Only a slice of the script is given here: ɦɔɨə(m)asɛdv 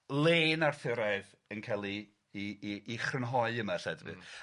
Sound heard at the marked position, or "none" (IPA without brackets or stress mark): m